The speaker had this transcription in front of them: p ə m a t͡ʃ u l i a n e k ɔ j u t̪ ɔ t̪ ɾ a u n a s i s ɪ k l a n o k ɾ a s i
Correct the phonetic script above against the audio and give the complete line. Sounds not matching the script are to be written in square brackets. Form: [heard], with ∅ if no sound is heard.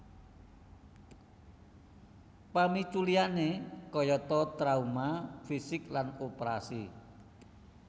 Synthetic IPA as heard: p [a] m [i] t͡ʃ u l i a n e k ɔ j [ɔ] t̪ ɔ t̪ ɾ a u [m] a [f] i s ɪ k l a n o [p] ɾ a s i